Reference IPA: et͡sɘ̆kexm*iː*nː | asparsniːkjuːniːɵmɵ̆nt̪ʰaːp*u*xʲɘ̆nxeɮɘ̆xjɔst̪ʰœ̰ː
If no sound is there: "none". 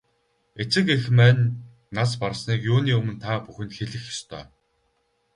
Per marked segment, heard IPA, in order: æː, u

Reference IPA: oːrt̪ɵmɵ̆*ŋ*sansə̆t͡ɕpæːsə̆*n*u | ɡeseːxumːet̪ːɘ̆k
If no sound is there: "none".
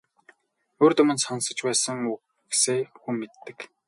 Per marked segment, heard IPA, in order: n, ŋ

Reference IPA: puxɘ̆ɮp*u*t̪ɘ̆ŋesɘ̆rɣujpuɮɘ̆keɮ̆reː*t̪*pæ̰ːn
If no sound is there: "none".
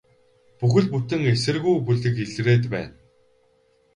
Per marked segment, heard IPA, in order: u, t̪

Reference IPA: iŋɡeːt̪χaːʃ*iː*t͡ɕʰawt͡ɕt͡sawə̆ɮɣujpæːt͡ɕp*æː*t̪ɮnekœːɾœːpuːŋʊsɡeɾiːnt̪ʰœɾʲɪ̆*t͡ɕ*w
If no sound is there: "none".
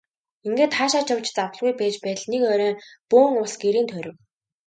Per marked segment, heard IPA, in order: aː, æː, none

